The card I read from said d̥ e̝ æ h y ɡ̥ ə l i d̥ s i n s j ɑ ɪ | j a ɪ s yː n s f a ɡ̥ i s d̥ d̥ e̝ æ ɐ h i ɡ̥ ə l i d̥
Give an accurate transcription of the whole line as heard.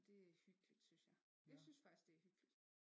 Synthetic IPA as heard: d̥ e̝ æ h y ɡ̥ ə l i d̥ s y n s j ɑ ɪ | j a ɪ s y n s f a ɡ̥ i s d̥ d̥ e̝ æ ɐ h y ɡ̥ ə l i d̥

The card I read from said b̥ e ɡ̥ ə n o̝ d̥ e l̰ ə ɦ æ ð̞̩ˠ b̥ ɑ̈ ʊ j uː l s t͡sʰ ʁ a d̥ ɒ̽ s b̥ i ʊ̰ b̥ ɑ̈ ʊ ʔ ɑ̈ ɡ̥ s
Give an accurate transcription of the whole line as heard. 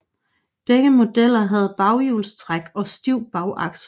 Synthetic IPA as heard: b̥ e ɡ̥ ə m o̝ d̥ e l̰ ɐ ɦ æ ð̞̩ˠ b̥ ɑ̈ ʊ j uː l s t͡sʰ ʁ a ɡ̥ ɒ̽ s d̥ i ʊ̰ b̥ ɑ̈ ʊ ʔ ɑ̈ ɡ̥ s

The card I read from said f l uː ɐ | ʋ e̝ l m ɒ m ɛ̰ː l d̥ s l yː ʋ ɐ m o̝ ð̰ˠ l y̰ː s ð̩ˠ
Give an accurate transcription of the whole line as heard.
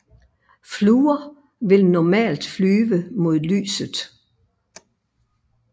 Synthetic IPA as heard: f l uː ɐ | ʋ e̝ l n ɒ m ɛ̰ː l d̥ f l yː ʋ ə m o̝ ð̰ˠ l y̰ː s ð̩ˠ

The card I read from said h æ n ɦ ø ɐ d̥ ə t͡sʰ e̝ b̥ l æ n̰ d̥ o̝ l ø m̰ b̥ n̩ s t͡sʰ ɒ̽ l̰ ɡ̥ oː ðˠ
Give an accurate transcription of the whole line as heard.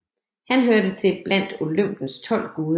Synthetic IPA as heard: h æ n ɦ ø ɐ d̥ ə t͡sʰ e̝ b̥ l æ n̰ d̥ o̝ l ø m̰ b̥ n̩ s t͡sʰ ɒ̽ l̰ ɡ̥ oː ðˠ

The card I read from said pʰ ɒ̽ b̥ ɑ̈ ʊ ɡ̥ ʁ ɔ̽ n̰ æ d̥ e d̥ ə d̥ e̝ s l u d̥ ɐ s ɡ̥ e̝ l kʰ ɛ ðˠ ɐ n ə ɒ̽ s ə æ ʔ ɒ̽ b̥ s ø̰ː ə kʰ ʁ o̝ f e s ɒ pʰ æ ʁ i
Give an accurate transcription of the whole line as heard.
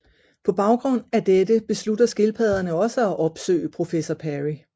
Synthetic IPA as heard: pʰ ɒ̽ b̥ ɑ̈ ʊ ɡ̥ ʁ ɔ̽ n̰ æ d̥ e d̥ ə b̥ e̝ s l u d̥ ɐ s ɡ̥ e̝ l pʰ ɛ ðˠ ɐ n ə ɒ̽ s ə æ ʔ ɒ̽ b̥ s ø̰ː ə pʰ ʁ o̝ f e s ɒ pʰ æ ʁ i

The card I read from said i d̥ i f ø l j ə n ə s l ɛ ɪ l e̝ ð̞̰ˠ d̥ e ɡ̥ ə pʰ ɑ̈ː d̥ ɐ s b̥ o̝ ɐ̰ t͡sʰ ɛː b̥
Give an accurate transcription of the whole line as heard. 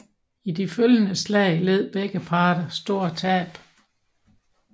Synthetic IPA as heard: i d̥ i f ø l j ə n ə s l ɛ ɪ l e̝ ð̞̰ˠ b̥ e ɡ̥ ə pʰ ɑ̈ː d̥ ɐ s d̥ o̝ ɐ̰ t͡sʰ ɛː b̥

